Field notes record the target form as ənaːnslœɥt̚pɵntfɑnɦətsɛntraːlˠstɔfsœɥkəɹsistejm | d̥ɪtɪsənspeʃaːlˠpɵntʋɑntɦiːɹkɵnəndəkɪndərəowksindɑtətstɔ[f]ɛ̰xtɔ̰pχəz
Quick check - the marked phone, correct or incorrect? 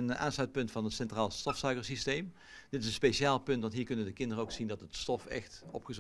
correct